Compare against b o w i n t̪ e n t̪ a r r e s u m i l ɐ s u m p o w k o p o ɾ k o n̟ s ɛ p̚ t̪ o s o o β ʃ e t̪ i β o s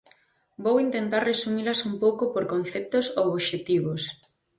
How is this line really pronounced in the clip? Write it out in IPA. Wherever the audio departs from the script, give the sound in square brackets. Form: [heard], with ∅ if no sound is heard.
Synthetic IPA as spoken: b o w i n t̪ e n t̪ a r r e s u m i l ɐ s u m p o w k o p o ɾ k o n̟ [θ] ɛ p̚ t̪ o s o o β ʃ e t̪ i β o s